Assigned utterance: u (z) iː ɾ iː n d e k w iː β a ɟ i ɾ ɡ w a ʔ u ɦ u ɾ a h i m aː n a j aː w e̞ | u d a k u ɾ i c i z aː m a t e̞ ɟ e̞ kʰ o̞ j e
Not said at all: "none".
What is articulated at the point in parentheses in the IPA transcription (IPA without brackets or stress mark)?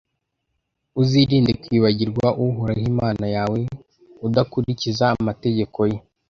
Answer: z